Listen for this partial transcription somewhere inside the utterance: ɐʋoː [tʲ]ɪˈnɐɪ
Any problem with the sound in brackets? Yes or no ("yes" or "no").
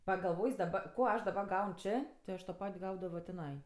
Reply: no